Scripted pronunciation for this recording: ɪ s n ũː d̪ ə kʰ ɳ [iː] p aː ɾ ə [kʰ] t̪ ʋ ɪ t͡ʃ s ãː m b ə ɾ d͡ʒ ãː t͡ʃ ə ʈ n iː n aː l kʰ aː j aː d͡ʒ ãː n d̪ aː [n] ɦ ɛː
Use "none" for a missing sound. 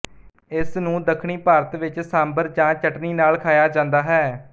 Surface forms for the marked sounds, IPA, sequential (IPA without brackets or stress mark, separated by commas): iː, none, none